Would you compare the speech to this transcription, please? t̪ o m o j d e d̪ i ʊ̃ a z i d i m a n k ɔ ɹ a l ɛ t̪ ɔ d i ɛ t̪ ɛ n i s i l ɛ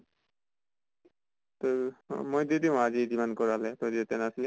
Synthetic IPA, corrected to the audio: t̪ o m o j d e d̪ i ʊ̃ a z i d i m a n k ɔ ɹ a l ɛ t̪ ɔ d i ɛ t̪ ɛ n a s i l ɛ

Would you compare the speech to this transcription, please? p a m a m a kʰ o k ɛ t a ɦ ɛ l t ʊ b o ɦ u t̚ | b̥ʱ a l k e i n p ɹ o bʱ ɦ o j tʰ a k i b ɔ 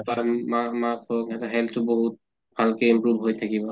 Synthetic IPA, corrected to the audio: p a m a m a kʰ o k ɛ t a ɦ ɛ l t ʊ b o ɦ u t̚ | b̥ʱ a l k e i m p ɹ u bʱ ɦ o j tʰ a k i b ɔ

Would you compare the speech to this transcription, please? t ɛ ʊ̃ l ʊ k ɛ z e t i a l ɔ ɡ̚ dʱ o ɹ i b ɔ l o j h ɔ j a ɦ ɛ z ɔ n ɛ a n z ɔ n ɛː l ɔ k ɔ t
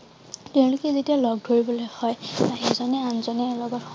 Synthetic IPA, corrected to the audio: t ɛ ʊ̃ l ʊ k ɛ z e t i a l ɔ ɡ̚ dʱ o ɹ i b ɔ l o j h ɔ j a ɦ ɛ z ɔ n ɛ a n z ɔ n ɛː l ɔ ɡ ɔ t

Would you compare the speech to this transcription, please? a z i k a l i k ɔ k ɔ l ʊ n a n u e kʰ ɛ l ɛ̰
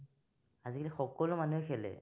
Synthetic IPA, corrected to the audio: a z i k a l i x ɔ k ɔ l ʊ m a n u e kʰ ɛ l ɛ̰

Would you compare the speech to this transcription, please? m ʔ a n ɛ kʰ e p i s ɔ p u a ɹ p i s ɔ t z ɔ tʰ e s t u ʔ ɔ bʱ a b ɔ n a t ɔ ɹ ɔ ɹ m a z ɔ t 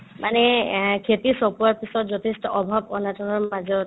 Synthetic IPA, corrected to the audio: m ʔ a n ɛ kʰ e t i s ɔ p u a ɹ p i s ɔ t z ɔ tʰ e s t ɔ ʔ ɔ bʱ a b ɔ n a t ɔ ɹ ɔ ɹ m a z ɔ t

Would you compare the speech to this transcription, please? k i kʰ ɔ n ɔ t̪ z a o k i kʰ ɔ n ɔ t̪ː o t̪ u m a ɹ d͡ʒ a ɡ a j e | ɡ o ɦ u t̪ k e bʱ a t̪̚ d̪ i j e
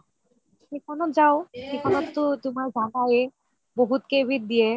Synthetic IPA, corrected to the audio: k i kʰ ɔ n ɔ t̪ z a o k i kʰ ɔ n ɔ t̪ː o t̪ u m a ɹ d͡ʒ a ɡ a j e | b o ɦ u t̪ k e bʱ i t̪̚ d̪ i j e

